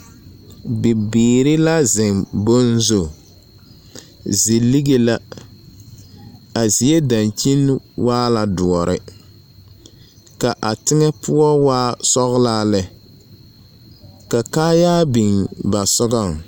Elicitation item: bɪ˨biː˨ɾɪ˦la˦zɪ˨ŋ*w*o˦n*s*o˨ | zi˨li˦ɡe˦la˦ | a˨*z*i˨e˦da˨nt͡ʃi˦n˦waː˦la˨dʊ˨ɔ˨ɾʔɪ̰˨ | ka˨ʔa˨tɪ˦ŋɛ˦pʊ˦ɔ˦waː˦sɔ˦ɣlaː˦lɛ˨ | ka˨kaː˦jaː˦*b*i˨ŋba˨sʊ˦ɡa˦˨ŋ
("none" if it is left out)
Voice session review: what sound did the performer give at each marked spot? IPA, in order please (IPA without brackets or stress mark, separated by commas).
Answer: b, z, z, b